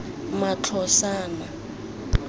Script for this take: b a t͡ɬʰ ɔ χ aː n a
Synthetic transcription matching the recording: m a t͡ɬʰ ɔ s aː n a